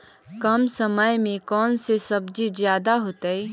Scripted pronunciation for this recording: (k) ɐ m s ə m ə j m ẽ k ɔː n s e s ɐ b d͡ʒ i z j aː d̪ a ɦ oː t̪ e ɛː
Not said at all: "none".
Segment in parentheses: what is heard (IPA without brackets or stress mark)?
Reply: k